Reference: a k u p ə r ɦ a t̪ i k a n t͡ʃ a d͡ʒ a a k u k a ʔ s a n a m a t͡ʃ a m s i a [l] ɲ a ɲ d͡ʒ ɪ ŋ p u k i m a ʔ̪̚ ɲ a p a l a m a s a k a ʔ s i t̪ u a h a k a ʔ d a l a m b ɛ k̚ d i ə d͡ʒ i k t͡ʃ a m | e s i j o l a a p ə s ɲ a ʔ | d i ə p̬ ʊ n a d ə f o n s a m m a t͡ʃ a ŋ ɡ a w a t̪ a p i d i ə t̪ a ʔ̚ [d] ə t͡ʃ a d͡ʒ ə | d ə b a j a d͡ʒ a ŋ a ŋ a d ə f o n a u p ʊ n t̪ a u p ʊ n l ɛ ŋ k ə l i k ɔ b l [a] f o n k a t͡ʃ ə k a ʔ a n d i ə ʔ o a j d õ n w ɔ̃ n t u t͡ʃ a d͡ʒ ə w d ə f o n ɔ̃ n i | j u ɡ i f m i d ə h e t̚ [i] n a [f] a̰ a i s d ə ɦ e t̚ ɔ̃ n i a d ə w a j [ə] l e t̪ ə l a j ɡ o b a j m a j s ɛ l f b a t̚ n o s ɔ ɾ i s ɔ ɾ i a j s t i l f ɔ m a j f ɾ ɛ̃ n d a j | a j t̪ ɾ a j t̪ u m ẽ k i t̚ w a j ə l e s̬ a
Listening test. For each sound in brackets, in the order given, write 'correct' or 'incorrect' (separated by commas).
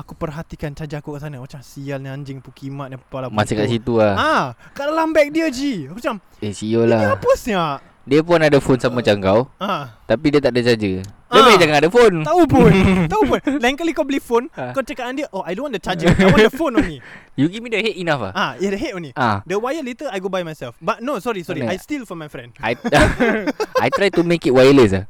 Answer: correct, correct, incorrect, correct, correct, correct